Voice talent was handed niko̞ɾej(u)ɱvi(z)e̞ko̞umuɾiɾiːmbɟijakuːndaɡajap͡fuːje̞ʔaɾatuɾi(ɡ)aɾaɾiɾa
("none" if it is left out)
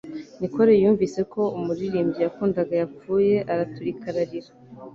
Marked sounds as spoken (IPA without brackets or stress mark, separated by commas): uː, s, k